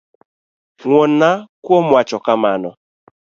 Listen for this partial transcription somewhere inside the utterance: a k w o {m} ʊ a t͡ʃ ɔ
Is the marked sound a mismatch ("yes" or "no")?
no